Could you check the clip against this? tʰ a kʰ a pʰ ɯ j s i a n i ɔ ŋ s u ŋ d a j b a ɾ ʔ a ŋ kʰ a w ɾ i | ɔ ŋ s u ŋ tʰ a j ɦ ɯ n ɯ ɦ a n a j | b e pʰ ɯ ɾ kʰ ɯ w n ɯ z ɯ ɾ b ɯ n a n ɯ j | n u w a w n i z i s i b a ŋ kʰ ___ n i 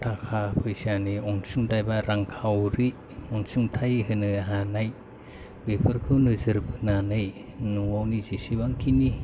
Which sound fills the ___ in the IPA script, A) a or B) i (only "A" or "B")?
B